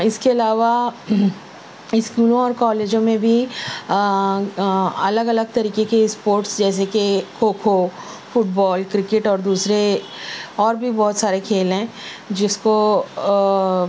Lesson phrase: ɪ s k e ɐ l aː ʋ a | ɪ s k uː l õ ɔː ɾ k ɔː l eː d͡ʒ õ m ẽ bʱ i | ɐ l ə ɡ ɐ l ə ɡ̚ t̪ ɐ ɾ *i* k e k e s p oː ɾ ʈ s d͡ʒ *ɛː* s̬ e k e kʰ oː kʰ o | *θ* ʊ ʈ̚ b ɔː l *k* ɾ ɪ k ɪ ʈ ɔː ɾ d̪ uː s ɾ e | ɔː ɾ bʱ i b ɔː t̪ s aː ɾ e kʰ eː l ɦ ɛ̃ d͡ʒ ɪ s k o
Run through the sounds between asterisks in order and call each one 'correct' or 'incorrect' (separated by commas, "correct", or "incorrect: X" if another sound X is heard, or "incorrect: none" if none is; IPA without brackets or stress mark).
incorrect: iː, correct, incorrect: f, correct